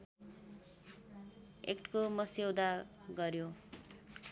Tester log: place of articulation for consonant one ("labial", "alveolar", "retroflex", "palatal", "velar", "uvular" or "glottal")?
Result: velar